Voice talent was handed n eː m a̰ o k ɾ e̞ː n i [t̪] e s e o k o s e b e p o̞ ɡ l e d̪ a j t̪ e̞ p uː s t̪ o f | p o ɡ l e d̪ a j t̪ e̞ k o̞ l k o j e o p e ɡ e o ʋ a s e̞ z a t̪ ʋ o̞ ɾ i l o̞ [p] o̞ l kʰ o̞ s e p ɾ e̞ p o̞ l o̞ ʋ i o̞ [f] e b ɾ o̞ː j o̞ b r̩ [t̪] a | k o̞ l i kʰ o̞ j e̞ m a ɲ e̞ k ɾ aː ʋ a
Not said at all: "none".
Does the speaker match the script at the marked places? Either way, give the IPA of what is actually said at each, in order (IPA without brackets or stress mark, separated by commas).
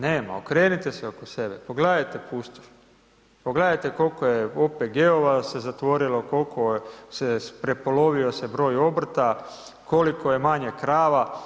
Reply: t̪, k, s, t̪